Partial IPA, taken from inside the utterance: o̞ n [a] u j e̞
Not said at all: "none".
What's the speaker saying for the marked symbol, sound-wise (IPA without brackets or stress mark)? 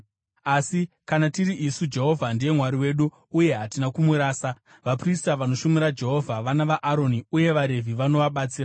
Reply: i